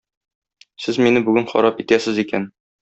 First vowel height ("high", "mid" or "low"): mid